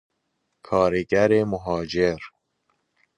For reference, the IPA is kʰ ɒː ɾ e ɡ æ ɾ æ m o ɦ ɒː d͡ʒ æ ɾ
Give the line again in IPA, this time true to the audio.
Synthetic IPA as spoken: kʰ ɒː ɾ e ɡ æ ɾ e m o ɦ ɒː d͡ʒ e ɾ